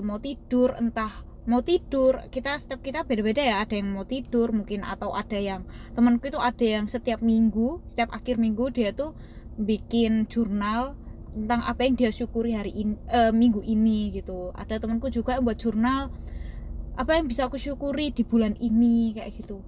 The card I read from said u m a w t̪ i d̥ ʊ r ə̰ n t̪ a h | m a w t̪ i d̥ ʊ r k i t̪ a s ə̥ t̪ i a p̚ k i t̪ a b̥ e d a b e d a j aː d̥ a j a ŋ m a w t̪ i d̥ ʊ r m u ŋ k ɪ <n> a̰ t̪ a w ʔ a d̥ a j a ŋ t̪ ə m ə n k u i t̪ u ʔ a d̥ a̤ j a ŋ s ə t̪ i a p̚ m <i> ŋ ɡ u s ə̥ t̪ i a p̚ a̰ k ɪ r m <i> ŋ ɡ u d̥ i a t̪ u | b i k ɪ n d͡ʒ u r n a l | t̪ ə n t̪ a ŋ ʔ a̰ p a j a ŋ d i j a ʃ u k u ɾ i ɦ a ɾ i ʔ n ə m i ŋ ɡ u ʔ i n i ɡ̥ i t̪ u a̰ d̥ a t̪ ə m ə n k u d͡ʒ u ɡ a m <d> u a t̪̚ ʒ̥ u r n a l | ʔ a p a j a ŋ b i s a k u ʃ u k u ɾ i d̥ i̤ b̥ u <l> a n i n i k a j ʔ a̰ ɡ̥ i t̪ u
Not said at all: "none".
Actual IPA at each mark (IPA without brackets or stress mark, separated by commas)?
n, i, i, b, l